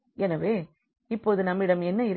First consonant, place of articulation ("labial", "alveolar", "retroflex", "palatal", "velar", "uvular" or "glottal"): alveolar